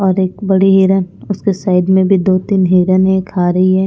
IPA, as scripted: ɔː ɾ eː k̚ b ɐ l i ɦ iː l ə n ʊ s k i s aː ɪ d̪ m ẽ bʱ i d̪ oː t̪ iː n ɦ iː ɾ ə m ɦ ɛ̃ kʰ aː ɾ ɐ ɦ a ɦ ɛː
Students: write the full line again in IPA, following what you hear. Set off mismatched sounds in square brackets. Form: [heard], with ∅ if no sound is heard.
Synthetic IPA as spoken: ɔː ɾ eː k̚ b ɐ [ɽ] i ɦ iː [ɾ] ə n ʊ s k [e] s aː ɪ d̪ m ẽ bʱ i d̪ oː t̪ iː n ɦ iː ɾ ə [n] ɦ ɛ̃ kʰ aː ɾ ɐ ɦ [i] ɦ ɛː